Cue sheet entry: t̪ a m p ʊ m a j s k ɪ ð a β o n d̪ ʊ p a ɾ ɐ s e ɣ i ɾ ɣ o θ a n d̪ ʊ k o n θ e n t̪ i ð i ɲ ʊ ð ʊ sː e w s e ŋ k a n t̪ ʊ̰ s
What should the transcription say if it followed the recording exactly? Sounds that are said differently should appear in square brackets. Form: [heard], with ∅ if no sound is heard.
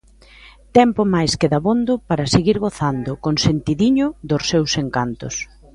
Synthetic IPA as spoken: t̪ [ɛ] m p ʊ m a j s k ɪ ð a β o n d̪ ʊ p a ɾ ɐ s e ɣ i ɾ ɣ o θ a n d̪ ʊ k o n [s] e n t̪ i ð i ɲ ʊ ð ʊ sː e w s e ŋ k a n t̪ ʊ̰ s